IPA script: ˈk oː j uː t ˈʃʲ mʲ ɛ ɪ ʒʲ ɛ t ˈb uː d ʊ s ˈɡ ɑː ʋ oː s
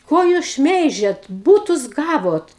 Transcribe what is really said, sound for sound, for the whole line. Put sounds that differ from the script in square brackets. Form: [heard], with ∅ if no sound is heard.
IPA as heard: ˈk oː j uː [s] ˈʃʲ mʲ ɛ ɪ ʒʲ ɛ t ˈb uː [t] ʊ s ˈɡ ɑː ʋ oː [t]